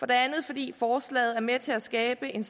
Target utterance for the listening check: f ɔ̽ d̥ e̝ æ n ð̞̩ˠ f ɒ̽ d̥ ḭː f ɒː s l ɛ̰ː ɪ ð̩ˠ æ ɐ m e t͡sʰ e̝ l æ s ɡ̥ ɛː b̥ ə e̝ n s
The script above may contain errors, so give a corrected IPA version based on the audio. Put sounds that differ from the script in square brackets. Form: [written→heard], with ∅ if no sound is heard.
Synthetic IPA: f [ɔ̽→ɒ̽] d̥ e̝ æ n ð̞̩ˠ f ɒ̽ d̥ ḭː f ɒː s l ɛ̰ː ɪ ð̩ˠ æ ɐ m e t͡sʰ e̝ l æ s ɡ̥ ɛː b̥ ə e̝ n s

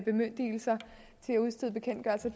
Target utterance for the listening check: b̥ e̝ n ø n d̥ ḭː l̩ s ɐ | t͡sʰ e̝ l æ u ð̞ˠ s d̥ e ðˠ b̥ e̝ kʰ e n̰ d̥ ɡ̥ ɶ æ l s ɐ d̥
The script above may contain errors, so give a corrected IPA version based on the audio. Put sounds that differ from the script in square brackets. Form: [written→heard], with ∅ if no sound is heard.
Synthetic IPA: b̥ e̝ [n→m] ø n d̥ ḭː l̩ s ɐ | t͡sʰ e̝ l æ u ð̞ˠ s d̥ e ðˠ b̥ e̝ kʰ e n̰ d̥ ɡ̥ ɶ æ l s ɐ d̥

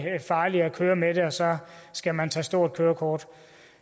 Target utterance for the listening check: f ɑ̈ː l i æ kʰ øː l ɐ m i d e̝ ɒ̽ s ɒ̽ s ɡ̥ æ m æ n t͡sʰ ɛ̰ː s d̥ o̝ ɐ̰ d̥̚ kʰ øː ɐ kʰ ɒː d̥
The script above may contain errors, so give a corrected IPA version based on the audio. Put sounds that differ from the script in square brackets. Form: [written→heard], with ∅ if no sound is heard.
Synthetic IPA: f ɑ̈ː l i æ kʰ øː [l→∅] ɐ m [i→e] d e̝ ɒ̽ s ɒ̽ s ɡ̥ æ m æ n t͡sʰ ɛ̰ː s d̥ o̝ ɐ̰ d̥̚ kʰ øː ɐ kʰ ɒː d̥

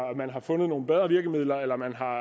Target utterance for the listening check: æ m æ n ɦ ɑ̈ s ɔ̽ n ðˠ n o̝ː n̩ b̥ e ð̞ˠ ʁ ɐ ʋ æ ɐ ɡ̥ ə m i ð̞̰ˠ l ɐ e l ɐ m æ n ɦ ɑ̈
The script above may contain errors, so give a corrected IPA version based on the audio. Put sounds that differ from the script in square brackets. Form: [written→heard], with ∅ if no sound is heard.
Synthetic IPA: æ m æ n ɦ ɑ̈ [s→f] ɔ̽ n ðˠ n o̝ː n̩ b̥ e ð̞ˠ ʁ ɐ ʋ [æ→i] ɐ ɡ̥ ə m i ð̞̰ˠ l ɐ e l ɐ m æ n ɦ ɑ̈

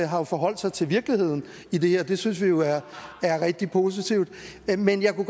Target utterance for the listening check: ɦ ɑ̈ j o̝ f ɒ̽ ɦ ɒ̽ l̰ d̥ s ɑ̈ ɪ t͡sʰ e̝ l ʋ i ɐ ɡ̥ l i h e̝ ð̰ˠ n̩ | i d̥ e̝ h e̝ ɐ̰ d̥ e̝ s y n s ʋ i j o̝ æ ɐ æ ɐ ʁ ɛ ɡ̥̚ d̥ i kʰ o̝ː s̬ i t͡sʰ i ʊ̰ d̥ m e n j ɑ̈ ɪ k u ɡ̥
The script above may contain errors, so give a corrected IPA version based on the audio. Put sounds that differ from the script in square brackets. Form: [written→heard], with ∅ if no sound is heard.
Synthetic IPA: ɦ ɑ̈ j o̝ f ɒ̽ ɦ ɒ̽ l̰ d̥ s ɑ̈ ɪ t͡sʰ e̝ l ʋ i ɐ ɡ̥ l i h e̝ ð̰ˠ n̩ | i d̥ e̝ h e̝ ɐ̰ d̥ e̝ s y n s ʋ i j o̝ æ ɐ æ ɐ ʁ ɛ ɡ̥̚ d̥ i [kʰ→pʰ] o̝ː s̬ i t͡sʰ i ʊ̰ d̥ m e n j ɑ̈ ɪ k u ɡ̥

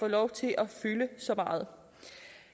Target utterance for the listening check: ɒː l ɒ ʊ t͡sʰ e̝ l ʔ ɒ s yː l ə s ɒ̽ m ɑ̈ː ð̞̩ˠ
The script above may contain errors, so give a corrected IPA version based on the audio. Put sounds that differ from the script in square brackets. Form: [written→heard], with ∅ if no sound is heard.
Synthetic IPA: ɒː l ɒ ʊ t͡sʰ e̝ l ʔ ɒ [s→f] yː l ə s ɒ̽ m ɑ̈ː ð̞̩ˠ

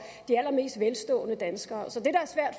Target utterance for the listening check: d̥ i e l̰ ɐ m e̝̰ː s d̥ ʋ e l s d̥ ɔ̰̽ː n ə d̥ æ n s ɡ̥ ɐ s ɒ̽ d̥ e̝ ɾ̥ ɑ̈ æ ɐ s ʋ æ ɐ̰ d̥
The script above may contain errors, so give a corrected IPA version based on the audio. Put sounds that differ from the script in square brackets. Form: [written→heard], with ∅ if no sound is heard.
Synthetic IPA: d̥ i [e→æ] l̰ ɐ m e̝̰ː s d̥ ʋ e l s d̥ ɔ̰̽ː n ə d̥ æ n s ɡ̥ [ɐ→ɐː] s ɒ̽ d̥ e̝ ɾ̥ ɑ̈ æ ɐ s ʋ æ ɐ̰ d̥

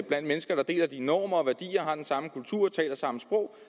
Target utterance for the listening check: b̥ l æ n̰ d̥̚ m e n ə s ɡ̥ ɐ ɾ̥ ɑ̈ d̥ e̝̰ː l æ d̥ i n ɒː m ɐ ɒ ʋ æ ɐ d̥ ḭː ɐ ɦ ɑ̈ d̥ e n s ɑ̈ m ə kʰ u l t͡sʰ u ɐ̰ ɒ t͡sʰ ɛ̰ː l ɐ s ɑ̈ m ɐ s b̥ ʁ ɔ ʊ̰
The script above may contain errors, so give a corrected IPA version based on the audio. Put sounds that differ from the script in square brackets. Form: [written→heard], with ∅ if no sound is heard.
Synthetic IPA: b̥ l æ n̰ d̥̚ m e n ə s ɡ̥ ɐ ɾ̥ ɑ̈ d̥ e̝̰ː l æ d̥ i n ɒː m ɐ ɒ ʋ æ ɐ d̥ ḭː ɐ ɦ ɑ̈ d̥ e n s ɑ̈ m ə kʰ u l t͡sʰ u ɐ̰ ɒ t͡sʰ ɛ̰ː l ɐ s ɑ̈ m [ɐ→ə] s b̥ ʁ ɔ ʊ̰

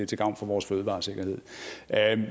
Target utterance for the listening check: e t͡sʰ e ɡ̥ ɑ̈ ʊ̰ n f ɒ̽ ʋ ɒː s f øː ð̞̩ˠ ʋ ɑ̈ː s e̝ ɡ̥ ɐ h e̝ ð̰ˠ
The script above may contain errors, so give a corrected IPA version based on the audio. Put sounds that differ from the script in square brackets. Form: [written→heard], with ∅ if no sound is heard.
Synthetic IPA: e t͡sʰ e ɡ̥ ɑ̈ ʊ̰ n f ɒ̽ ʋ ɒː s f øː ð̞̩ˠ ʋ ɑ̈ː s e̝ ɡ̥ ɐ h e̝ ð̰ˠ

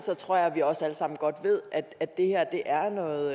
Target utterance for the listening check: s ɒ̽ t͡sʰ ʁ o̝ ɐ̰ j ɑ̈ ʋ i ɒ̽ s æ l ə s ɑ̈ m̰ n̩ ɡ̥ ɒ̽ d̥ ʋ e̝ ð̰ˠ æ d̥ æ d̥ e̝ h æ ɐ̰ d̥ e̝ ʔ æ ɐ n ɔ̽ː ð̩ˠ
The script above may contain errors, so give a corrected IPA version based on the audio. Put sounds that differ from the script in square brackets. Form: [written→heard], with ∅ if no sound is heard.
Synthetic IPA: s ɒ̽ t͡sʰ ʁ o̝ ɐ̰ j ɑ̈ ʋ i ɒ̽ s æ l ə s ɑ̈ m̰ n̩ ɡ̥ ɒ̽ d̥ ʋ e̝ ð̰ˠ æ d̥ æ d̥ e̝ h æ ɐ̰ d̥ e̝ ʔ æ ɐ n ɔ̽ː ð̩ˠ

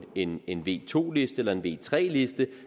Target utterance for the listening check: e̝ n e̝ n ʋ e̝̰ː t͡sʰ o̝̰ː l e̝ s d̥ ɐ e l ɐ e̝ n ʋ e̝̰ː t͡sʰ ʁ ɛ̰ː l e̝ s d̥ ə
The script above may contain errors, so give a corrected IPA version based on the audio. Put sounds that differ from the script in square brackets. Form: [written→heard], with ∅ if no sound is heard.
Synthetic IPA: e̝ n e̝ n ʋ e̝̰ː t͡sʰ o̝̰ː l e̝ s d̥ [ɐ→ə] e l ɐ e̝ n ʋ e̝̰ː t͡sʰ ʁ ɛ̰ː l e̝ s d̥ ə

